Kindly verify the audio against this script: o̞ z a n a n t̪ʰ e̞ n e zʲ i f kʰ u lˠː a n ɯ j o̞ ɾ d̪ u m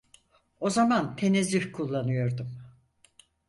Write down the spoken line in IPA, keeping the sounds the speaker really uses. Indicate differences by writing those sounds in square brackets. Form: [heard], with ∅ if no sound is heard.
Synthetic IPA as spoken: o̞ z a [m] a n t̪ʰ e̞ n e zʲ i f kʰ u lˠː a n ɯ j o̞ ɾ d̪ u m